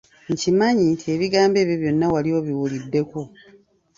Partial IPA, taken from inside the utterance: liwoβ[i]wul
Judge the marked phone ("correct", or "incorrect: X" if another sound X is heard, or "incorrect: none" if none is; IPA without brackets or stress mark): correct